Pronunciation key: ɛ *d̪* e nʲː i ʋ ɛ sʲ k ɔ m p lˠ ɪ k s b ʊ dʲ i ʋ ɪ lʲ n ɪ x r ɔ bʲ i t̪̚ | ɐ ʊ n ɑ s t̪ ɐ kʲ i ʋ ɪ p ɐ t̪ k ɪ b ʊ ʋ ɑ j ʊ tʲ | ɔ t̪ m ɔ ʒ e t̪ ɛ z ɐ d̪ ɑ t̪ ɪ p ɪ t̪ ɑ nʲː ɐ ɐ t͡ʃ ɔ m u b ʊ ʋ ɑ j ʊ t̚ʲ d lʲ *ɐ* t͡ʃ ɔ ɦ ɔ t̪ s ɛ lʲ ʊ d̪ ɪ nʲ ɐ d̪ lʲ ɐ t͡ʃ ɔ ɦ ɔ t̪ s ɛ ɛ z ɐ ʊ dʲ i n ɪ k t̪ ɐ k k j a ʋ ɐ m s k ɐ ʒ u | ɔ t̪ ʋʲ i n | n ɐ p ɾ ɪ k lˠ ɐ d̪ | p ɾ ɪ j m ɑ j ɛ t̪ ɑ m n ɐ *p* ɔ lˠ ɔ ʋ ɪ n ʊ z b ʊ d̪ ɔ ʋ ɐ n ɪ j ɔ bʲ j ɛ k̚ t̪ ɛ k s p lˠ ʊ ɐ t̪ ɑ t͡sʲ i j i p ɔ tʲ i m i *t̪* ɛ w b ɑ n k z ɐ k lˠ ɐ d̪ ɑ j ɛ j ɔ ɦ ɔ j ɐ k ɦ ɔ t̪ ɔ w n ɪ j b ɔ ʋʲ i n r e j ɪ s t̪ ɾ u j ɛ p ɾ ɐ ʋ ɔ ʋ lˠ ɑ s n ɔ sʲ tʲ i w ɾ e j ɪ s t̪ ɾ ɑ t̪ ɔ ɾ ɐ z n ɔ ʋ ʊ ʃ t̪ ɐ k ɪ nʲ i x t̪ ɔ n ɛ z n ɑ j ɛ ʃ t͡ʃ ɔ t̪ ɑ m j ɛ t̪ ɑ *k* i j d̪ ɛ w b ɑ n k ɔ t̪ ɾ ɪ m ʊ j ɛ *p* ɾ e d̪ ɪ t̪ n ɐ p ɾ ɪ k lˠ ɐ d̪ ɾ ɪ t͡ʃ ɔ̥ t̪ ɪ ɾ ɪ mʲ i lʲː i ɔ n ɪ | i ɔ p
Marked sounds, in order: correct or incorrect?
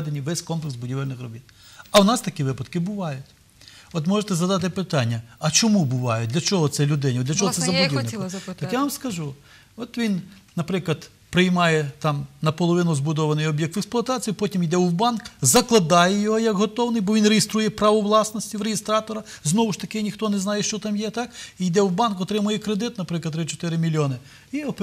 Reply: correct, correct, correct, incorrect: d̪, correct, incorrect: k

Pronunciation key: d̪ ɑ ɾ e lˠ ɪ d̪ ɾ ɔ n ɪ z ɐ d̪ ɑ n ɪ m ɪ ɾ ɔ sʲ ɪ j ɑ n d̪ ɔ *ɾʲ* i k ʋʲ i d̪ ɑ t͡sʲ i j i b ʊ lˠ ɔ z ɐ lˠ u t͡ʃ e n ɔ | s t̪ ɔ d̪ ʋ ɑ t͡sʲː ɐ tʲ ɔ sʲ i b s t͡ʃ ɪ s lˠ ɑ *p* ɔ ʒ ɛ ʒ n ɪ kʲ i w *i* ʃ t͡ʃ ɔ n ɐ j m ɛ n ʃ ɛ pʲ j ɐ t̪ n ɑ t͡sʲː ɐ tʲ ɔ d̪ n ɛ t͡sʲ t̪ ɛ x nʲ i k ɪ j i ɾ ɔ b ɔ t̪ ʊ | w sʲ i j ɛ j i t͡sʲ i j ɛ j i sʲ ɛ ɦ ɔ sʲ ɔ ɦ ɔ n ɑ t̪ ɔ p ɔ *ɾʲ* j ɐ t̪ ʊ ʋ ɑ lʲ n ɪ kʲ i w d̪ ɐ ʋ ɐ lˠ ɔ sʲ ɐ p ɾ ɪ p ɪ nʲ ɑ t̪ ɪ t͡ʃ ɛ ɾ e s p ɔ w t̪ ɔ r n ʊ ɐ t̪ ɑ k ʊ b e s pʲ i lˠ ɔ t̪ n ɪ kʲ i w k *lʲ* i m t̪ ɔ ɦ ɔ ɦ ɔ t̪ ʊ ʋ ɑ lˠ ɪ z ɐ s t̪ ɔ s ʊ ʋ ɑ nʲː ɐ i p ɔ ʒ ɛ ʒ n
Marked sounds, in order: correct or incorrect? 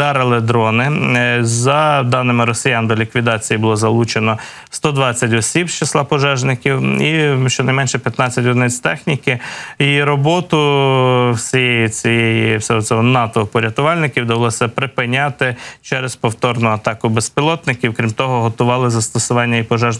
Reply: incorrect: lʲ, correct, correct, correct, incorrect: ɾʲ

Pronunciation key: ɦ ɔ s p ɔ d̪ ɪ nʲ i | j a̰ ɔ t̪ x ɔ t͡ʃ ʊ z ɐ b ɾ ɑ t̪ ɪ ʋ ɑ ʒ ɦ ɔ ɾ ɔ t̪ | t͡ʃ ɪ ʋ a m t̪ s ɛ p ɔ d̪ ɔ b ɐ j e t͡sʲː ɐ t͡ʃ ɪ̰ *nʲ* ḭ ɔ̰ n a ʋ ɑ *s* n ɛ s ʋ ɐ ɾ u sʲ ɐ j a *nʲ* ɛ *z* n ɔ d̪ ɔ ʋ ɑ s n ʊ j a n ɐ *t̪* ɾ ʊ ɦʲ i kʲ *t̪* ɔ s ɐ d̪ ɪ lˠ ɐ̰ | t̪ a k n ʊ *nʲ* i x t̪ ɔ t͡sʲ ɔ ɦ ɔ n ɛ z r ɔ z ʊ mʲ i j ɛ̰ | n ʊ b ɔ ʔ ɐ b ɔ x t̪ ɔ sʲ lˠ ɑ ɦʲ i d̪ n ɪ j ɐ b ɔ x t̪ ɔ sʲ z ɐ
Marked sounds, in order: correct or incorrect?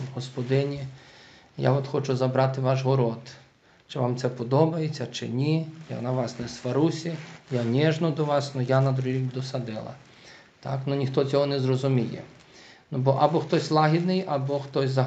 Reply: correct, correct, correct, incorrect: ʒ, incorrect: d̪, incorrect: d̪, correct

